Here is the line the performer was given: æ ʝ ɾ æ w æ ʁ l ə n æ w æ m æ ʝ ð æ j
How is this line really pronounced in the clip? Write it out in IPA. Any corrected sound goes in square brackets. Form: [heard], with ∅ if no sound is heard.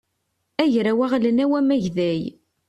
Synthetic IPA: æ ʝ ɾ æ w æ ʁ l ə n æ w æ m æ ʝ ð æ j